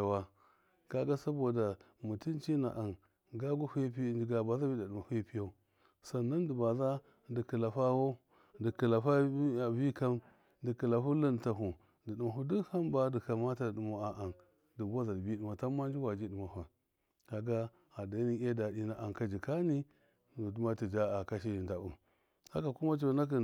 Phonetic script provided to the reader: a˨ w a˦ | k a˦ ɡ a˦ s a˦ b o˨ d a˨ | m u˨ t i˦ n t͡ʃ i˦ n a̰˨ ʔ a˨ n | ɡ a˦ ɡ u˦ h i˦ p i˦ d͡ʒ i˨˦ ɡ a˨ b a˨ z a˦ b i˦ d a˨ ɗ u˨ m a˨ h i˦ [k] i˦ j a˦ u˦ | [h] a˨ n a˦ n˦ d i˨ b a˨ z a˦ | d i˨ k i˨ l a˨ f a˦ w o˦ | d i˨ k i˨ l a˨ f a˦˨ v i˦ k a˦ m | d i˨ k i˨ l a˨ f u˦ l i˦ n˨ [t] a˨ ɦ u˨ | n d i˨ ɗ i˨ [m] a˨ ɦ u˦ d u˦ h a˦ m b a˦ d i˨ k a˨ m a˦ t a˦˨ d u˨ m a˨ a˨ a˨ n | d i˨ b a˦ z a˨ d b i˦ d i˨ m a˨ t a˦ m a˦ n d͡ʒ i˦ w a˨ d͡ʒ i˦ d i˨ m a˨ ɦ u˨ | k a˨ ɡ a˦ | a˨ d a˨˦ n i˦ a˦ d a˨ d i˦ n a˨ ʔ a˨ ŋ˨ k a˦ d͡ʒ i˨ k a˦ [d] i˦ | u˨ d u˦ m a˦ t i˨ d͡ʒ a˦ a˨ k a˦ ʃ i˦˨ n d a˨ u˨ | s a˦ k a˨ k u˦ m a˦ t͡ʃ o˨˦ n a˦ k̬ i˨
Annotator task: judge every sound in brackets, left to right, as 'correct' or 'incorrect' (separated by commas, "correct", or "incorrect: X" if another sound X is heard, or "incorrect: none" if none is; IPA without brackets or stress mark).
incorrect: p, incorrect: s, correct, correct, incorrect: n